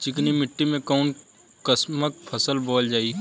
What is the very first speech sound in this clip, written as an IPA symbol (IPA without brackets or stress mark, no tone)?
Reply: t͡ʃ